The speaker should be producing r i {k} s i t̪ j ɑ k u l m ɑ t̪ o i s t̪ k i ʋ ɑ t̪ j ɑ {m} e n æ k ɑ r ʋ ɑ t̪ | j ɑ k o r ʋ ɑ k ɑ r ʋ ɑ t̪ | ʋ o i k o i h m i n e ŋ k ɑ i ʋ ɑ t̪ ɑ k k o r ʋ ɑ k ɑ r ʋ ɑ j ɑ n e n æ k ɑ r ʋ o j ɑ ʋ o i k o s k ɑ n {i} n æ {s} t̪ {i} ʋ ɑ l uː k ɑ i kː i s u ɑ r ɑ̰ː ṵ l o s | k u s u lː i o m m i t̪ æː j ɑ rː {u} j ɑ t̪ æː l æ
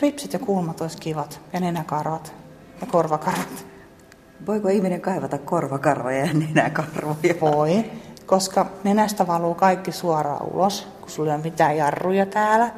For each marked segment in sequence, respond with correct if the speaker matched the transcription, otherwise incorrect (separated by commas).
incorrect, incorrect, incorrect, correct, incorrect, correct